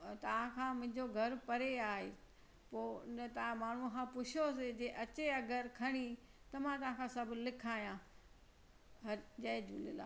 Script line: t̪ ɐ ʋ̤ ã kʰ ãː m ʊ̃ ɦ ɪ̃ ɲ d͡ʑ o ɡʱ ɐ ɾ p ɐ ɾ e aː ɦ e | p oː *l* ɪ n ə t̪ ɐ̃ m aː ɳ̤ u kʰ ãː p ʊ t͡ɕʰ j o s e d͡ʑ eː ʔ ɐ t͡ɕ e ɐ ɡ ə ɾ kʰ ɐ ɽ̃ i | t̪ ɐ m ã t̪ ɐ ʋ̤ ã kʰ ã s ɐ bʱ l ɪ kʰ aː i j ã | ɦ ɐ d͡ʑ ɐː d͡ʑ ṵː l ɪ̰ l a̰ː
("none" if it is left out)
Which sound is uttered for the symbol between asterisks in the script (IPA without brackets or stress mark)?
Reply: none